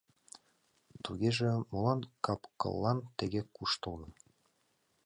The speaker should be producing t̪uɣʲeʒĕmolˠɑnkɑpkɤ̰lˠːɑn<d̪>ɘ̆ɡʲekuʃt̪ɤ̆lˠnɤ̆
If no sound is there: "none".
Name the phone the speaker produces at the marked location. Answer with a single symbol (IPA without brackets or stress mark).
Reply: t̪